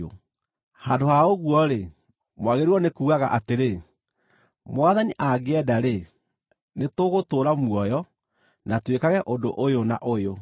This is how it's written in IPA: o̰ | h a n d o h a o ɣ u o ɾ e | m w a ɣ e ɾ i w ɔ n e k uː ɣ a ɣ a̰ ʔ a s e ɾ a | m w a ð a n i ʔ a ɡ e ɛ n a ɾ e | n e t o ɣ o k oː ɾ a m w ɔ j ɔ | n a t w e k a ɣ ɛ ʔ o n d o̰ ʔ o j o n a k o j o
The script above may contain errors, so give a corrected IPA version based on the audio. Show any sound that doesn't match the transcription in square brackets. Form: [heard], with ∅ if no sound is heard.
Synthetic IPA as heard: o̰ | h a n d o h a o ɣ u [ɔ] ɾ e | m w a ɣ e ɾ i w ɔ n e k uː ɣ a ɣ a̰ ʔ a [t] e ɾ [e] | m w a ð a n i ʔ a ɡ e ɛ [d] a ɾ e | n e t o ɣ o [t] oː ɾ a m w ɔ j ɔ | n a t w e k a ɣ ɛ ʔ o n d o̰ ʔ o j o n a [ʔ] o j o